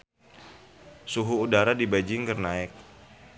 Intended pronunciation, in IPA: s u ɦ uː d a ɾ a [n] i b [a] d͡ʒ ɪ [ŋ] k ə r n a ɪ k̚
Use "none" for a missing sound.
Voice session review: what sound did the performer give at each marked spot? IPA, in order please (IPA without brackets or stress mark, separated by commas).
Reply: d, a, ŋ